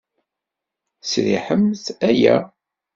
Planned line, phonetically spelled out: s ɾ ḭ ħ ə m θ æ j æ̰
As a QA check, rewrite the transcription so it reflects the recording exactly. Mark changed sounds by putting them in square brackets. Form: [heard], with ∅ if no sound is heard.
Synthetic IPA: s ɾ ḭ ħ ə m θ æ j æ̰

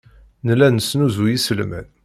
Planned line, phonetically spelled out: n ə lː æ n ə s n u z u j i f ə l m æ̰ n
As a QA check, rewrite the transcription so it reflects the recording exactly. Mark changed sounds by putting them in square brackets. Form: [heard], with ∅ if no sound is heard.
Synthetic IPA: n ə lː æ n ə s n u z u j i [s] ə l m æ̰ n

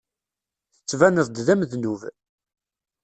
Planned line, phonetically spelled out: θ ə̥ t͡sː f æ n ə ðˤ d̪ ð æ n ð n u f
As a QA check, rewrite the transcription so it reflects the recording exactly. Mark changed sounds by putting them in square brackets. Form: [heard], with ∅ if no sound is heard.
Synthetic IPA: θ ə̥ t͡sː [v] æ n ə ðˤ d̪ ð æ [m] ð n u [v]

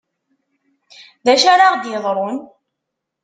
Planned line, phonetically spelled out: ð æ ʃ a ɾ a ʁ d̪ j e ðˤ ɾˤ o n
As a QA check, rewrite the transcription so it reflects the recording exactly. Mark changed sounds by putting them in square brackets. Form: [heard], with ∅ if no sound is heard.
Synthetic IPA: ð æ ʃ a ɾ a ʁ d̪ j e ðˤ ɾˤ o n

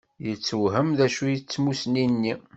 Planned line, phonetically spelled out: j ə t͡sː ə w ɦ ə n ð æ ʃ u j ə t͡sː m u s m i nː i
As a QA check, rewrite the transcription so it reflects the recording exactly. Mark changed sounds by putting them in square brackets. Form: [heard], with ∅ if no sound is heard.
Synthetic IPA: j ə t͡sː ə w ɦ ə [m] ð æ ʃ u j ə t͡sː m u s [n] i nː i

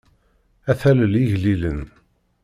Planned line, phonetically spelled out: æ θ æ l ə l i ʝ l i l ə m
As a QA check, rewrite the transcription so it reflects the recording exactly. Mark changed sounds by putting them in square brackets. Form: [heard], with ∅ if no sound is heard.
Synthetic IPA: æ θ æ l ə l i ʝ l i l ə [n]

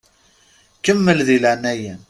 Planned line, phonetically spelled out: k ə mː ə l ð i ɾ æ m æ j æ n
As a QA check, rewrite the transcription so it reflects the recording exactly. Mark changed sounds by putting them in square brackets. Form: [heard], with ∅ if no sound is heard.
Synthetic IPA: k ə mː ə l ð i [l] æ [n] æ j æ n

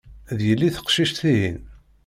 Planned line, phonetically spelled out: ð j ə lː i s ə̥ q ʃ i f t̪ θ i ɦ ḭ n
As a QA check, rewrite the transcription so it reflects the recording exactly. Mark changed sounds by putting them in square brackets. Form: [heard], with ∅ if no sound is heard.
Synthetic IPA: ð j ə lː i [θ] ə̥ q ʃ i [ʃ] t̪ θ i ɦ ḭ n

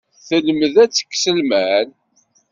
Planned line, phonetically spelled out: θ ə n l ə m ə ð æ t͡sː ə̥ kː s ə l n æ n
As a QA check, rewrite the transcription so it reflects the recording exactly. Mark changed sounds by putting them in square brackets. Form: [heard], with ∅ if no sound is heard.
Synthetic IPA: θ ə [∅] l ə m ə ð æ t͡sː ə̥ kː s ə l [m] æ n

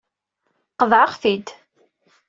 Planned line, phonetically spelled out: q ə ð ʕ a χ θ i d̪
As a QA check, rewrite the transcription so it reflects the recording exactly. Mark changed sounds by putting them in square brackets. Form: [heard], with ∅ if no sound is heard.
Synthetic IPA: q ə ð ʕ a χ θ i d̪

